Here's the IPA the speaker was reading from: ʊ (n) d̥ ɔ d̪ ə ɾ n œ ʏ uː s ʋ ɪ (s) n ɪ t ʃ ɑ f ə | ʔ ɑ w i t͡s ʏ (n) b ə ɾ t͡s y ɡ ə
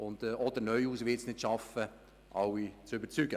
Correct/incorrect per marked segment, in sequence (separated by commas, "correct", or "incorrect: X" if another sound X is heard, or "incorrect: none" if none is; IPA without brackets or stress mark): correct, correct, incorrect: none